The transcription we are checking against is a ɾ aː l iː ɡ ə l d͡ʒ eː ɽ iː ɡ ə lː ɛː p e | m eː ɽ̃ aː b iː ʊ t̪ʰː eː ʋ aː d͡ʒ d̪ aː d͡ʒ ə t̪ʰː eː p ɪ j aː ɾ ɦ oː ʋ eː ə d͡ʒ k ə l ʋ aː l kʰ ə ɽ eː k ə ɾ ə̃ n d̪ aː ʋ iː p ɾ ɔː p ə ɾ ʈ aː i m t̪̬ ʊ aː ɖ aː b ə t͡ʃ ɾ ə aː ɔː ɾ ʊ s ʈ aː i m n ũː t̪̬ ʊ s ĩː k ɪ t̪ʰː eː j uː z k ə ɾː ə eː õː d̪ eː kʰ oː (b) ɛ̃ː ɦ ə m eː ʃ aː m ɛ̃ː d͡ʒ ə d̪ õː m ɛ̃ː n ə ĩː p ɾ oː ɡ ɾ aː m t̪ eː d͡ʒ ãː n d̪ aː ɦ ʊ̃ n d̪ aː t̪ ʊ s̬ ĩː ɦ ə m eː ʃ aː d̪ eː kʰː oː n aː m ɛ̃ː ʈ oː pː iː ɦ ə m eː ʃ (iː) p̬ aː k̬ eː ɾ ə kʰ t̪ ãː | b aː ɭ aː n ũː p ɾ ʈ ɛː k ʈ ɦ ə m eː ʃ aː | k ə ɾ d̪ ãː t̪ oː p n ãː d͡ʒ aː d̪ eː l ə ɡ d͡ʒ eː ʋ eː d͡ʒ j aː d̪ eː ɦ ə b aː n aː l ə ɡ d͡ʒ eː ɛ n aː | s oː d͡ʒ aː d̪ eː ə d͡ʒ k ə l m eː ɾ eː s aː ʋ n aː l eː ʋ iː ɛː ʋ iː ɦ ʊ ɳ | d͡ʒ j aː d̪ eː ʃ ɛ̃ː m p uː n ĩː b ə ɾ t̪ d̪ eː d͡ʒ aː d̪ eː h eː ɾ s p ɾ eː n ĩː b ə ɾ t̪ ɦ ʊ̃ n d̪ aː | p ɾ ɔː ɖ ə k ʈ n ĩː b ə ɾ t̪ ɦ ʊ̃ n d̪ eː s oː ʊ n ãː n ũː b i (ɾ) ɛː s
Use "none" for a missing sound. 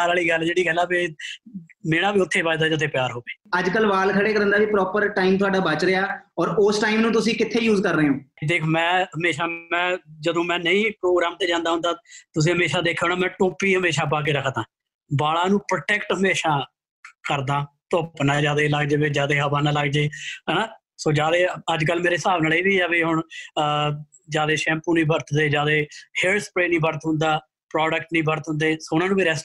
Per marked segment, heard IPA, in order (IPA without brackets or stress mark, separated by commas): m, aː, ɾ